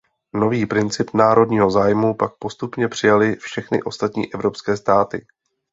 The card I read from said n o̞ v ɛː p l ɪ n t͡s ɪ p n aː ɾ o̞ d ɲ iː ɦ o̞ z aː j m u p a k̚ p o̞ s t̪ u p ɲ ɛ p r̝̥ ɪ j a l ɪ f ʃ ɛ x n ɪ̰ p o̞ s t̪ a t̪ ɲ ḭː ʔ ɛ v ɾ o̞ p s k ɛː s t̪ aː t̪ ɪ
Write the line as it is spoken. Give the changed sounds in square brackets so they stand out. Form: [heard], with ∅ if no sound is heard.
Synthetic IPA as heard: n o̞ v [iː] p [ɾ] ɪ n t͡s ɪ p n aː ɾ o̞ d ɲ iː ɦ o̞ z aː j m u p a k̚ p o̞ s t̪ u p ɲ ɛ p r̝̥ ɪ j a l ɪ f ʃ ɛ x n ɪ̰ [ʔ] o̞ s t̪ a t̪ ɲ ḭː ʔ ɛ v ɾ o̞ p s k ɛː s t̪ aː t̪ ɪ